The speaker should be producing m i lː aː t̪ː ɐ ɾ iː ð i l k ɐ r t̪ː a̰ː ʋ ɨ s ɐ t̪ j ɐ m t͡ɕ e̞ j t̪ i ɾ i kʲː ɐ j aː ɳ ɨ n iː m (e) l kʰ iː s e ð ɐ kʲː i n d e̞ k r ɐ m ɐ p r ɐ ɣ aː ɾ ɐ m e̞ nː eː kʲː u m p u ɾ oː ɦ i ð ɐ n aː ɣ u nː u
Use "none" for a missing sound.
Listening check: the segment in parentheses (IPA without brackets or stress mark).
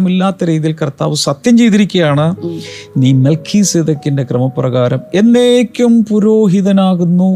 e